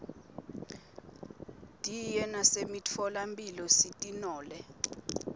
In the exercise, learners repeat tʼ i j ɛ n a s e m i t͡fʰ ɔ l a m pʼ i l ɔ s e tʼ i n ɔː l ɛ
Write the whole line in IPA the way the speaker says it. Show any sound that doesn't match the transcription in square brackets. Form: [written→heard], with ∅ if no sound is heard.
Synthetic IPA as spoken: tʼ i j ɛ n a s e m i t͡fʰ ɔ l a m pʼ i l ɔ s [e→i] tʼ i n ɔː l ɛ